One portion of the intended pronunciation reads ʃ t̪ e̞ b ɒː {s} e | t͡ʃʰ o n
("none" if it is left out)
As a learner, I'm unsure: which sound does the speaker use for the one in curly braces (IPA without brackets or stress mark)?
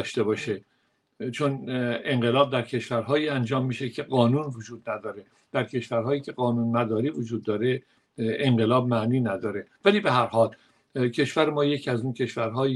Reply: ʃ